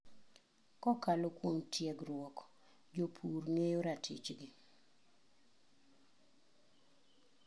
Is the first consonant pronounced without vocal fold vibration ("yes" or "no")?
yes